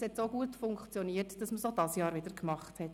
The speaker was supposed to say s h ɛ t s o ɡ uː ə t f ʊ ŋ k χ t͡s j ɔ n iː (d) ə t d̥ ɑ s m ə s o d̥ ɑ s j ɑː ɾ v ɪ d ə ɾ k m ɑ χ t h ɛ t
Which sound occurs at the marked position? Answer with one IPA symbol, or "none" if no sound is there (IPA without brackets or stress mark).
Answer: none